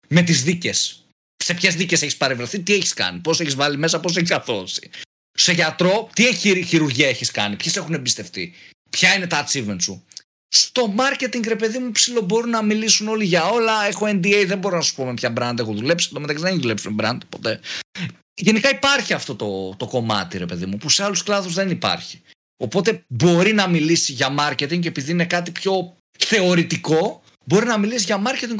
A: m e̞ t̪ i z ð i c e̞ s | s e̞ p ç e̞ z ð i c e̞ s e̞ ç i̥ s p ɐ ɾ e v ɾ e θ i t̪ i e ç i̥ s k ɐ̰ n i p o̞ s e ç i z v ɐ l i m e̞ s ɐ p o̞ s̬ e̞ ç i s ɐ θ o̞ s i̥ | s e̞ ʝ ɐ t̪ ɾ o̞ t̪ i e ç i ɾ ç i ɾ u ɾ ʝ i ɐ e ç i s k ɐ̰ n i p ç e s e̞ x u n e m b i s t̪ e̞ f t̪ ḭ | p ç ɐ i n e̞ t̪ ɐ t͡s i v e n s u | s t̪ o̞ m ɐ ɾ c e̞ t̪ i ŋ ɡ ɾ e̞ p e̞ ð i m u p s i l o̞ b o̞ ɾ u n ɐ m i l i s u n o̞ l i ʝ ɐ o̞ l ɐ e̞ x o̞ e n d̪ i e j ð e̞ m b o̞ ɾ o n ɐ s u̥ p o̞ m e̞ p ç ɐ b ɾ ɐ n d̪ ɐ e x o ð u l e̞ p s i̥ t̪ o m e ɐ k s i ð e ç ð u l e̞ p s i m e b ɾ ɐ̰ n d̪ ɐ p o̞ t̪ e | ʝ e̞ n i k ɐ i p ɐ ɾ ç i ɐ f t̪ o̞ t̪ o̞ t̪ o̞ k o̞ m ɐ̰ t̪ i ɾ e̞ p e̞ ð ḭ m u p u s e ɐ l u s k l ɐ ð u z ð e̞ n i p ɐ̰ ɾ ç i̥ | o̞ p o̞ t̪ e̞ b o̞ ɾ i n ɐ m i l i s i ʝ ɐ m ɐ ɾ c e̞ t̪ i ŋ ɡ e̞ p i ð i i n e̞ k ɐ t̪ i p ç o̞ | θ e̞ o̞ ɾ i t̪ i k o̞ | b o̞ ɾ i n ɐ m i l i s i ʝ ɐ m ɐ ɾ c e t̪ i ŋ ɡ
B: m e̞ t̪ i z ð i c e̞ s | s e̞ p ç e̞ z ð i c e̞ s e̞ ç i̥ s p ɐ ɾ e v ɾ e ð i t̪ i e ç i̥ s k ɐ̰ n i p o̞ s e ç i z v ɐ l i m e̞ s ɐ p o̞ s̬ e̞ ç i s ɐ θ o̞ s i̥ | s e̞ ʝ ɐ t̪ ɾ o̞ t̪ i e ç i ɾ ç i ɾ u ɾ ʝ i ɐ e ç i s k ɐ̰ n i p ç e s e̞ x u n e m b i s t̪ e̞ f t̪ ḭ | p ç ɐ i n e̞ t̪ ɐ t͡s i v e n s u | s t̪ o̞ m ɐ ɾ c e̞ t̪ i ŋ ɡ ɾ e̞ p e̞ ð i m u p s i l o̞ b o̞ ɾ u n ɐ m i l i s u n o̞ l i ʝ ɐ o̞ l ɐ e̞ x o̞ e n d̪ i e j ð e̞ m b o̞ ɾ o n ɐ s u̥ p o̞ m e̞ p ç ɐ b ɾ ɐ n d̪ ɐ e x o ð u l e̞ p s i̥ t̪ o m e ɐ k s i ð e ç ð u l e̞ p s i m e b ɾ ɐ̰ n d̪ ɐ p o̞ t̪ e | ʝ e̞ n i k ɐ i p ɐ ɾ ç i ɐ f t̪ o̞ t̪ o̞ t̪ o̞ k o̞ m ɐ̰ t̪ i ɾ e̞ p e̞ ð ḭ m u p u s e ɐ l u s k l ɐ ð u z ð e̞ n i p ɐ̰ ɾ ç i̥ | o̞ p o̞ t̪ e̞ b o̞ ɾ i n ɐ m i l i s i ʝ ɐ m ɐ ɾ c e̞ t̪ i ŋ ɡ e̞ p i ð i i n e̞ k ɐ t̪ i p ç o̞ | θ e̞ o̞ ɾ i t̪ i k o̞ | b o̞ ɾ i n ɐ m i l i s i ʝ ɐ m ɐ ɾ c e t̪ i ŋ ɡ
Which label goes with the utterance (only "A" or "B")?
A